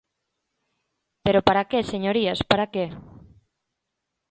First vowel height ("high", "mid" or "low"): mid